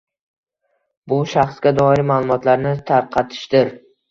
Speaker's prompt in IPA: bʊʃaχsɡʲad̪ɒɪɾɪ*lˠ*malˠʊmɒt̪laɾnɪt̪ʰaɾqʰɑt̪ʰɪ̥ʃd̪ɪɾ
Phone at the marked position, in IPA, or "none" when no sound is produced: none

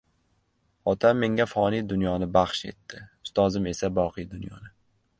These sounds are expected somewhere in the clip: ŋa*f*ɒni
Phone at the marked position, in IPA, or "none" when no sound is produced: f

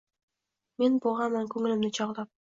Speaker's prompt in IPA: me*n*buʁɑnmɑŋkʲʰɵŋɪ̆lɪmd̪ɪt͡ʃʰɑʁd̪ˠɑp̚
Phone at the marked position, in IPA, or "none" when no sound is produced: n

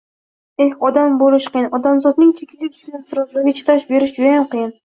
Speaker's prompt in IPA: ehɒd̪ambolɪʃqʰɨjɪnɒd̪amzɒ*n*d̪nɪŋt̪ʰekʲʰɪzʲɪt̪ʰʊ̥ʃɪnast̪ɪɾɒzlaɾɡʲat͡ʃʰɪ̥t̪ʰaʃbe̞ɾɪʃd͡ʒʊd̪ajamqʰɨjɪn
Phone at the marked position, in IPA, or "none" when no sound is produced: none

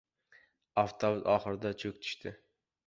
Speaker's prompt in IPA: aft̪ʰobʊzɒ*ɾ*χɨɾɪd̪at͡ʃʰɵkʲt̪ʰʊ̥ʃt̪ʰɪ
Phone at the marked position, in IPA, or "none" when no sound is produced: none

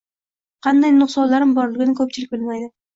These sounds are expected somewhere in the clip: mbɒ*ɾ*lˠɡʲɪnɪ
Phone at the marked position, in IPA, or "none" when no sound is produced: ɾ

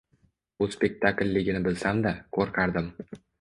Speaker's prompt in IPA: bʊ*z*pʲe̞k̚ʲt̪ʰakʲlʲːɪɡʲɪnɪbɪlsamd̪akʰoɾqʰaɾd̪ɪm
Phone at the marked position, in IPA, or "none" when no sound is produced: s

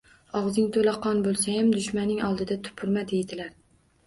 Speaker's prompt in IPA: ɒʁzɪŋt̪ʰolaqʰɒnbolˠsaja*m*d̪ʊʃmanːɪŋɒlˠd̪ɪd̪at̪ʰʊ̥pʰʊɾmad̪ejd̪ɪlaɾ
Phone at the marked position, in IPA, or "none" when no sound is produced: m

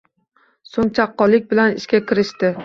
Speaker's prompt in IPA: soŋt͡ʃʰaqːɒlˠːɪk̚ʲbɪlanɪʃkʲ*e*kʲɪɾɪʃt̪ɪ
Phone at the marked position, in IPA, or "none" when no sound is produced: a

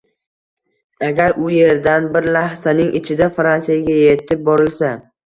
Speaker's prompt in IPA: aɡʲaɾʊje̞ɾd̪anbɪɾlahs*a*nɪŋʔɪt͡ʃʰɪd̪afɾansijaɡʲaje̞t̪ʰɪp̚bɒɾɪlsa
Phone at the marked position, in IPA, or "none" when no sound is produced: a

